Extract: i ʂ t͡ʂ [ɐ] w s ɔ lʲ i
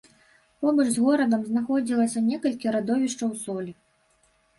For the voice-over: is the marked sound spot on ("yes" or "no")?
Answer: yes